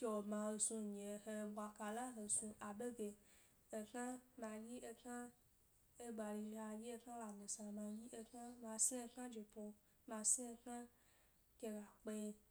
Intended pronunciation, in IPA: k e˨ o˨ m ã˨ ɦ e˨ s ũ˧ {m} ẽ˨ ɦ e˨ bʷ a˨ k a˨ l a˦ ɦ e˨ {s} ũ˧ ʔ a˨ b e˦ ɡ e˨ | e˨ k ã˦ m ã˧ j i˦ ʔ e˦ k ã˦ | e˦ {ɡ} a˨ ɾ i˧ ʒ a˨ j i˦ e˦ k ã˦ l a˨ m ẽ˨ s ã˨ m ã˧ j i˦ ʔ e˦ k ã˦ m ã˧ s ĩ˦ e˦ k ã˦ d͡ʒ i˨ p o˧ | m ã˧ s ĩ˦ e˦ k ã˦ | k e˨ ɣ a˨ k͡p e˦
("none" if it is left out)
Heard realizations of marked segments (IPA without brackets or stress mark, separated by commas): ɲ, s, ɡ͡b